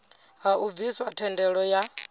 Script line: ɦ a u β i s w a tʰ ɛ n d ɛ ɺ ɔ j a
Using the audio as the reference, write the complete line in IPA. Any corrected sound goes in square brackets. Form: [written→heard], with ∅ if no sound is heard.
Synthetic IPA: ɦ a u [β→v] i s w a tʰ ɛ n d ɛ ɺ ɔ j a

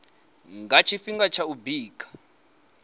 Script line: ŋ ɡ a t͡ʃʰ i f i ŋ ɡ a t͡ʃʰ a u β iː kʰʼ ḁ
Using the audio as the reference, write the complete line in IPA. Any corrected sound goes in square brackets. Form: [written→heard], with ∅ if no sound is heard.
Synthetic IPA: ŋ ɡ a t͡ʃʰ i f i ŋ ɡ a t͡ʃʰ a u [β→b] iː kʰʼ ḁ

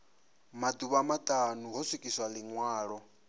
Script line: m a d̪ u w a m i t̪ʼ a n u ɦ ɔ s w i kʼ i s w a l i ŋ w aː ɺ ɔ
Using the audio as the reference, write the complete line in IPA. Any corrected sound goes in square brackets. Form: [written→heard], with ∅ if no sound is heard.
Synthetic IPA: m a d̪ u [w→β] a m [i→a] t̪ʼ a n u ɦ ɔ s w i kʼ i s w a l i ŋ w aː ɺ ɔ

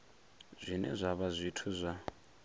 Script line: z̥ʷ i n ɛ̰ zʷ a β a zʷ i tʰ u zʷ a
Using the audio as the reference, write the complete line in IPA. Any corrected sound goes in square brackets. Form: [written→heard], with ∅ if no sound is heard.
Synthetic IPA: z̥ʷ i n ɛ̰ zʷ a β a zʷ i tʰ u zʷ a

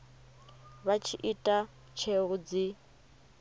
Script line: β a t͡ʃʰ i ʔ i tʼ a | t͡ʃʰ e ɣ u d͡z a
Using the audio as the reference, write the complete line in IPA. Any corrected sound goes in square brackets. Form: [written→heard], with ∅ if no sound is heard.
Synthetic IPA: β a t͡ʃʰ i ʔ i tʼ a | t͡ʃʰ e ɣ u d͡z [a→i]

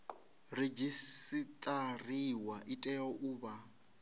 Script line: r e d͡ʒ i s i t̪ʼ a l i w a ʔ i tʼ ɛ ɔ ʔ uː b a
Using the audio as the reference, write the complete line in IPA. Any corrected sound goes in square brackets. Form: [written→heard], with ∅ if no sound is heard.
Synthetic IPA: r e d͡ʒ i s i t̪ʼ a [l→r] i w a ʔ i tʼ ɛ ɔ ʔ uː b a

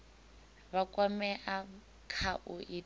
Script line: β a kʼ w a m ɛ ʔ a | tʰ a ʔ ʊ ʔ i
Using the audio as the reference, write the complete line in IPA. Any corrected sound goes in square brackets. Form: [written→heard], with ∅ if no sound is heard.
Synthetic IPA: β a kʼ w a m ɛ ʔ a | [tʰ→kʰ] a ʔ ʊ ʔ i

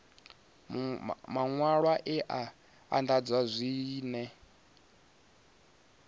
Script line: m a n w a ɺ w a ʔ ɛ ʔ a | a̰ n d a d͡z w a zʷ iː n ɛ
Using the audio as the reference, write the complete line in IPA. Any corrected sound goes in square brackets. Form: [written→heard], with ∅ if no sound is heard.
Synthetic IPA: m a [n→ŋ] w a ɺ w a ʔ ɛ ʔ a | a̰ n d a d͡z w a zʷ iː n ɛ

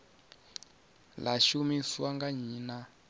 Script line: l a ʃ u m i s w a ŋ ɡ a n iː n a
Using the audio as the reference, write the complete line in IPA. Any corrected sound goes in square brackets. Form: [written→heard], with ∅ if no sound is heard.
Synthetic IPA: l a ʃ u m i s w a ŋ ɡ a [n→ɲ] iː n a

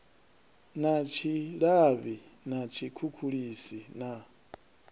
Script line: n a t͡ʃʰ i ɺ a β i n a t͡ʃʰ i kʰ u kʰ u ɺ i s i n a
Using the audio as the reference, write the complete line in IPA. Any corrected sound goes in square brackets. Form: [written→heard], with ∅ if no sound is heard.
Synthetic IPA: n a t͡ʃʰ i ɺ a β i n a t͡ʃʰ i kʰ u kʰ u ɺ i s i n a

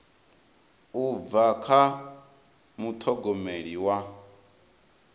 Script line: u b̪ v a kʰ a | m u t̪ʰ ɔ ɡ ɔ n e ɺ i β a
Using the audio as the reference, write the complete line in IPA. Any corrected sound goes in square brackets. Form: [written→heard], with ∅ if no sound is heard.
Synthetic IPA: u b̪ v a kʰ a | m u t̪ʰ ɔ ɡ ɔ [n→m] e ɺ i [β→w] a

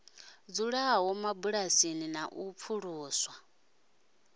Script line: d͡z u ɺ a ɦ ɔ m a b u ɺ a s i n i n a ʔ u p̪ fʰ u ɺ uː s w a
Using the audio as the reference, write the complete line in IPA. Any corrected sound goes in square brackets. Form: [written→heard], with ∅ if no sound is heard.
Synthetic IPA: d͡z u ɺ a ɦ ɔ m a b u ɺ a s i n i n a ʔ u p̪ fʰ u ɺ uː s w a

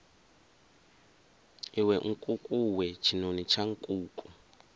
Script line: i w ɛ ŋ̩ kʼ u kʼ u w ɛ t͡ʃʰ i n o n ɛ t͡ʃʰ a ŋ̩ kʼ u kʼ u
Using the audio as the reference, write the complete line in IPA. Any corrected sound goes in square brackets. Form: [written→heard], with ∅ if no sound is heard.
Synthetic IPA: i w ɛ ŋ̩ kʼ u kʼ u w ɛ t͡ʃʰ i n o n [ɛ→i] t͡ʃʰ a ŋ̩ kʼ [u→uː] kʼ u

